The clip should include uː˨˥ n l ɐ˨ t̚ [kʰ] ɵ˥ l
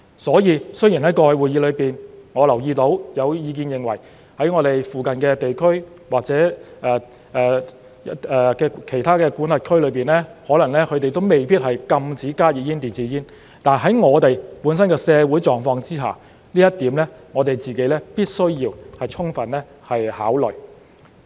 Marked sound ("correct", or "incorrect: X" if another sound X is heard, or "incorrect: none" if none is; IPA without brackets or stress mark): correct